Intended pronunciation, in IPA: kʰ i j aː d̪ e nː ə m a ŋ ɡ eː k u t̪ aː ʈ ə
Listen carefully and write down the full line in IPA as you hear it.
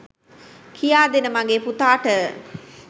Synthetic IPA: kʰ i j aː d̪ e n ə m a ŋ ɡ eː p u t̪ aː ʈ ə